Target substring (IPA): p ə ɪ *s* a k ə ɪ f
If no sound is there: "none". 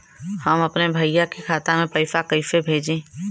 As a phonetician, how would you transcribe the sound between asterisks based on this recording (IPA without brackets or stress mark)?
f